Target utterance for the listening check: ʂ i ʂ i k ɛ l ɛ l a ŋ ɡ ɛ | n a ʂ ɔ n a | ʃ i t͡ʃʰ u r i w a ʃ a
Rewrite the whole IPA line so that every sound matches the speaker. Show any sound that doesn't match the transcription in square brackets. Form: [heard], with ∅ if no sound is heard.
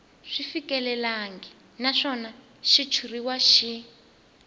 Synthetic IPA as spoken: ʂ i [f] i k ɛ l ɛ l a ŋ ɡ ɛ | n a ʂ ɔ n a | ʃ i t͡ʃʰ u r i w a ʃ [i]